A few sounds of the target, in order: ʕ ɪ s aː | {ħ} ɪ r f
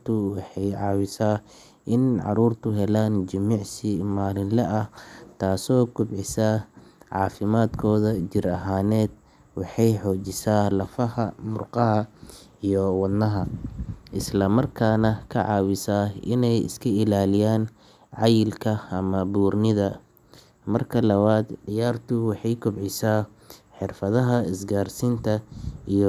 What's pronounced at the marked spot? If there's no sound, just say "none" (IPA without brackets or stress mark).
ħ